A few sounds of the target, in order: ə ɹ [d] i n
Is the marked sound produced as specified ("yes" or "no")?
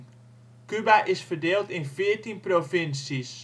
no